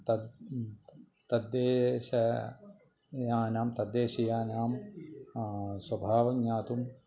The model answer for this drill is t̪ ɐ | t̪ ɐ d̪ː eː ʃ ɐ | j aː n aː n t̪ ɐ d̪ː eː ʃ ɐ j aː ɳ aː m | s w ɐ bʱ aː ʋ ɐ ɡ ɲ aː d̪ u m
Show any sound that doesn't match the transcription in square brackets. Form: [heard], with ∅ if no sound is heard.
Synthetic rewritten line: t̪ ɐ | t̪ ɐ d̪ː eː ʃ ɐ | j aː n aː [m] t̪ ɐ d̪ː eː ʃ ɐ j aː [n] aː m | s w ɐ bʱ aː ʋ ɐ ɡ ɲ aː [t̪] u m

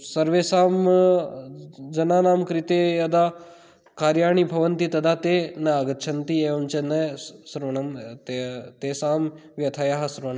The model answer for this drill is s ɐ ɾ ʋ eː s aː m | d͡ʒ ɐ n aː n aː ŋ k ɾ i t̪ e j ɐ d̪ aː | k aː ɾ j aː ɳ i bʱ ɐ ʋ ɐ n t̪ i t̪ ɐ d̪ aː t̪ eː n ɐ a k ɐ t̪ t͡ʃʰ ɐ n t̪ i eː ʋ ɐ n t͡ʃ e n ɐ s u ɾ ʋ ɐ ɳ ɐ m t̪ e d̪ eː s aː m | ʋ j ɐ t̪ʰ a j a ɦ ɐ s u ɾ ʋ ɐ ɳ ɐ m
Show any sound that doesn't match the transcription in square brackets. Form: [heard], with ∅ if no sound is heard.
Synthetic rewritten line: s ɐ ɾ ʋ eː s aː m | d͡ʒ ɐ n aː n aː [m] k ɾ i t̪ e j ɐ d̪ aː | k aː ɾ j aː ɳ i bʱ ɐ ʋ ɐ n t̪ i t̪ ɐ d̪ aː t̪ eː n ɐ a [ɡ] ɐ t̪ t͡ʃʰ ɐ n t̪ i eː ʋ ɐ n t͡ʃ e n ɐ s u ɾ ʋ ɐ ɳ ɐ m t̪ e [t̪] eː s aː m | ʋ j ɐ t̪ʰ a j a ɦ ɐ s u ɾ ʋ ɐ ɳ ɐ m

